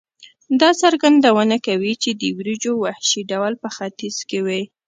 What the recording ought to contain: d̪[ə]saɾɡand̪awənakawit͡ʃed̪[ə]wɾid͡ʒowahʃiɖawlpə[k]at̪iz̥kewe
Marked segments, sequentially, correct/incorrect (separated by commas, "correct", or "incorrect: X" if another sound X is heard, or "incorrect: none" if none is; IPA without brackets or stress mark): incorrect: ɑ, correct, incorrect: x